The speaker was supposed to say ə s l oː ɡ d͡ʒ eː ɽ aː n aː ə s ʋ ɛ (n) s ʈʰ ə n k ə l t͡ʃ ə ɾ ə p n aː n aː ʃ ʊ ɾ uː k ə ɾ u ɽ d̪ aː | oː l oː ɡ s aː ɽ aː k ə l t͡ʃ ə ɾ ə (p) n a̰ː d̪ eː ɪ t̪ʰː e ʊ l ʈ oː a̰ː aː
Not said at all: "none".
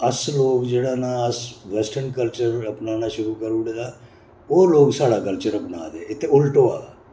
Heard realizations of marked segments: none, p

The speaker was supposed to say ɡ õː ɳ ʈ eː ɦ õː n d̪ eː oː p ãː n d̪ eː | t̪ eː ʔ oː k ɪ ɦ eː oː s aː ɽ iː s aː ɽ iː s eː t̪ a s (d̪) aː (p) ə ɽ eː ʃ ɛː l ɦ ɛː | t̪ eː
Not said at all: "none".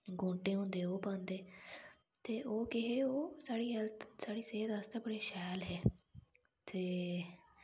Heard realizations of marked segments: t̪, b

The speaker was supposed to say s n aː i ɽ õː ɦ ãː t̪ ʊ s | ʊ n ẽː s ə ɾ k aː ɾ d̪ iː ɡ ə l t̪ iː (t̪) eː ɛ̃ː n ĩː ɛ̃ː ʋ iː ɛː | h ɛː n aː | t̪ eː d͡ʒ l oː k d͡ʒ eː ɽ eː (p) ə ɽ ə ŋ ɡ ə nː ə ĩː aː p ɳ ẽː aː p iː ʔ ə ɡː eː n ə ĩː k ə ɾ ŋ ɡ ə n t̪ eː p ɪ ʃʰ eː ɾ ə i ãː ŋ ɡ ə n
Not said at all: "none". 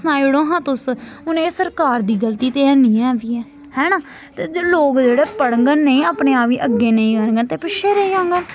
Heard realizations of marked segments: t̪, p

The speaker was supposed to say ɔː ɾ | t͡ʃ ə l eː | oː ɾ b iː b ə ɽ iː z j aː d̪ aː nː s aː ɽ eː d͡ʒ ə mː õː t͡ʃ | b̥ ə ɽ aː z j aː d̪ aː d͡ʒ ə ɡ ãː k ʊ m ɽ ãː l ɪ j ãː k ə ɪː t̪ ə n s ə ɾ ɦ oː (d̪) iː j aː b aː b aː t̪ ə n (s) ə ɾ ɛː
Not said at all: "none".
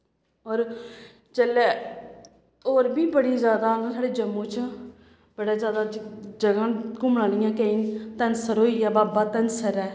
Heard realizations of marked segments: none, s

